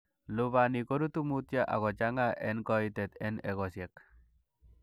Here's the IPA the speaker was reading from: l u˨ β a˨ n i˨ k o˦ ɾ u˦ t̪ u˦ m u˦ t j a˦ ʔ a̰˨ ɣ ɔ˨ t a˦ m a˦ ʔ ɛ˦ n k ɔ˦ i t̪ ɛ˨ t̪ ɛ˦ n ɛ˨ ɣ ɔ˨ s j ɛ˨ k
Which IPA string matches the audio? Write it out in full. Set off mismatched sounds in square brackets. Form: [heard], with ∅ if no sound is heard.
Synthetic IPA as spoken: l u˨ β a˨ n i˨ k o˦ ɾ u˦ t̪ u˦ m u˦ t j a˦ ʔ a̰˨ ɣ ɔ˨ [t͡ʃ] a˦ [ŋ] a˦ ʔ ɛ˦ n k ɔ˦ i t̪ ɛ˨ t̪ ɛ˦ n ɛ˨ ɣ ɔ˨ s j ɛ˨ k